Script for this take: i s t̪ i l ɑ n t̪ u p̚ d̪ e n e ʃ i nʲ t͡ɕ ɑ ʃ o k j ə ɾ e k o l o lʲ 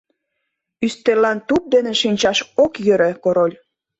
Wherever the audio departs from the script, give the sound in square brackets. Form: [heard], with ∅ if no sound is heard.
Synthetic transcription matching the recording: [y] s t̪ [e] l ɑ n t̪ u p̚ d̪ e n e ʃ i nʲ t͡ɕ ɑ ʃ o k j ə ɾ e k o [ɾ] o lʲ